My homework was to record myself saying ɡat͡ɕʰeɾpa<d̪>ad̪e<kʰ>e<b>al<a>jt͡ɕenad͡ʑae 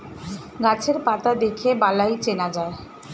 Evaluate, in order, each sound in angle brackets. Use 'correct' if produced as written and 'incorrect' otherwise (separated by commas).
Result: incorrect, correct, correct, correct